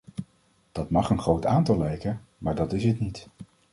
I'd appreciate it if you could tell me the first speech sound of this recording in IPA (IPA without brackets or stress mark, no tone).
d̥